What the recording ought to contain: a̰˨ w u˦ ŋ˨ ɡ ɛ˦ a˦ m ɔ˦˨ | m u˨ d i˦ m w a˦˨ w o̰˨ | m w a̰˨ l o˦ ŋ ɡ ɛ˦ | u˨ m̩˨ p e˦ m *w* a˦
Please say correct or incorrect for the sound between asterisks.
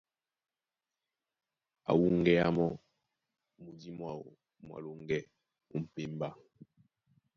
incorrect